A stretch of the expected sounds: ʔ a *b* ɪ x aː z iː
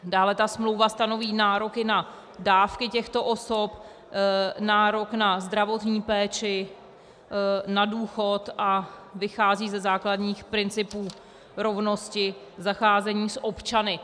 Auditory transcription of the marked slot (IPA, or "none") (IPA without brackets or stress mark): v